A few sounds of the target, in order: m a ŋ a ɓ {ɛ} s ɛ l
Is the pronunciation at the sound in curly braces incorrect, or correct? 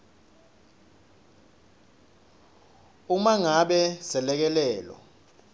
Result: correct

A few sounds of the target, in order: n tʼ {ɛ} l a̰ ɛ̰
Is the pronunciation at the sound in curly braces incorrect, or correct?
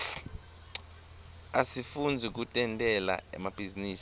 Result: correct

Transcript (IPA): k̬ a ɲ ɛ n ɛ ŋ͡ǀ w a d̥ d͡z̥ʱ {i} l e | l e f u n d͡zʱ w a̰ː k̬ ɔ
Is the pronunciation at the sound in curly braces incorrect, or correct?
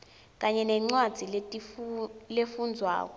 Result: correct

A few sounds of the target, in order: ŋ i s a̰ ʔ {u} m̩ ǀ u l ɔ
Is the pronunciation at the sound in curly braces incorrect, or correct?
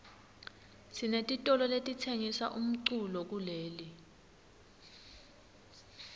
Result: correct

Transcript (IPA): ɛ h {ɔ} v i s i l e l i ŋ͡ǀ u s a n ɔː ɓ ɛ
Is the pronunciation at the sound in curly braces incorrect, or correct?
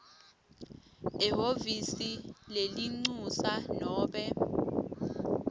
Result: incorrect: o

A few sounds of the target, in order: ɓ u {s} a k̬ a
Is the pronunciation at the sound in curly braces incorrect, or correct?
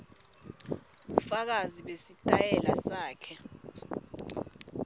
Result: incorrect: f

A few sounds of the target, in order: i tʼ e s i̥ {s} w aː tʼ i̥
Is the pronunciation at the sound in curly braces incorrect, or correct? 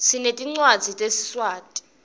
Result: correct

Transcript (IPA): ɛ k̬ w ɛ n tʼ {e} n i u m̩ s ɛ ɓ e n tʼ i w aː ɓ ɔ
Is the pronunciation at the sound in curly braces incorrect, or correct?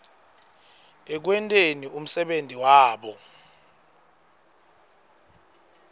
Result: correct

